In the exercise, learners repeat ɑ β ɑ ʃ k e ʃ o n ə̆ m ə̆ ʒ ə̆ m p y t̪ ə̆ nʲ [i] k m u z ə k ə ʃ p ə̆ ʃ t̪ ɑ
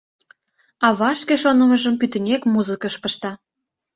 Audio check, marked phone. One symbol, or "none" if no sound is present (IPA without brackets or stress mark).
e